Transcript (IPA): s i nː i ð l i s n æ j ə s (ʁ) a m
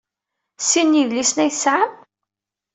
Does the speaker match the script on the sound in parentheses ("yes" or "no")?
no